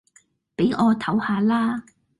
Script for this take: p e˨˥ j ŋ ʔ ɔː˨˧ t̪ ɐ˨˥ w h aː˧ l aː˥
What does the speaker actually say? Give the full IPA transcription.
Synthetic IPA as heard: p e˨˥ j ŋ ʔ ɔː˨˧ t̪ʰ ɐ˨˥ w h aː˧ l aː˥